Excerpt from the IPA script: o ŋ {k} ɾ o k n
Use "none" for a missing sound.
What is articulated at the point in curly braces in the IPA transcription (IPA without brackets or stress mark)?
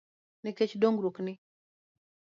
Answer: ɡ